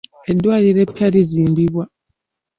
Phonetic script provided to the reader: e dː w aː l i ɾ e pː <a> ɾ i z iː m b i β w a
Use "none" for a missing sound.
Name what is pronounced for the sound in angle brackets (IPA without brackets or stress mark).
a